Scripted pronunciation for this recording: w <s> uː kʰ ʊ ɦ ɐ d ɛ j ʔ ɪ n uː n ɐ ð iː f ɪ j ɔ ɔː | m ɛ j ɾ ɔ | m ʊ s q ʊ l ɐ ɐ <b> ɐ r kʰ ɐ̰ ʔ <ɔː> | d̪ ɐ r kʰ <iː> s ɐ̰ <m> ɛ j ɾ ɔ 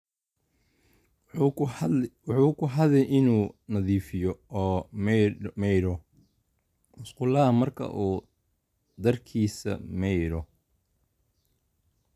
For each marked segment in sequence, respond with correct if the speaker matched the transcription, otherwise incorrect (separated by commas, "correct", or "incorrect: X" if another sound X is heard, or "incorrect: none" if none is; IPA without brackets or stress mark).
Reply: incorrect: ħ, incorrect: m, incorrect: uː, correct, correct